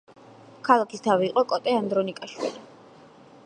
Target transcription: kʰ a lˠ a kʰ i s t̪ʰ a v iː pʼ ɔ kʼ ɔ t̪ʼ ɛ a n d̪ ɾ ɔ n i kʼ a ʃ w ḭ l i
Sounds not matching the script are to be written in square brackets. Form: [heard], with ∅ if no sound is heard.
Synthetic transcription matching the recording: kʰ a lˠ a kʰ i s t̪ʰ a v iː [qʼ] ɔ kʼ ɔ t̪ʼ ɛ a n d̪ ɾ ɔ n i kʼ a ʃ w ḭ l i